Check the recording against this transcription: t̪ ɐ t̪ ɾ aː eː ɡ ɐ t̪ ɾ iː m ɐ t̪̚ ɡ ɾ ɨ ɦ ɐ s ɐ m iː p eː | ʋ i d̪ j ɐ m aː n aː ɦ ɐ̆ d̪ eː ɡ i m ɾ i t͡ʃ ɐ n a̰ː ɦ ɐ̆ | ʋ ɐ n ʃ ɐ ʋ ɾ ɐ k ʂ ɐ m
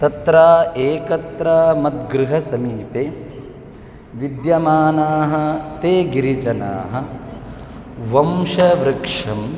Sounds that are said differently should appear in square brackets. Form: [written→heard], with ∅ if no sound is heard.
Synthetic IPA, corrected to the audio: t̪ ɐ t̪ ɾ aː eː [ɡ→k] ɐ t̪ ɾ [iː→aː] m ɐ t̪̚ ɡ ɾ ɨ ɦ ɐ s ɐ m iː p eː | ʋ i d̪ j ɐ m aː n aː ɦ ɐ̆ [d̪→t̪] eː ɡ i [m→∅] ɾ i t͡ʃ ɐ n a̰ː ɦ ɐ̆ | ʋ ɐ [n→m] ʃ ɐ ʋ ɾ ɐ k ʂ ɐ m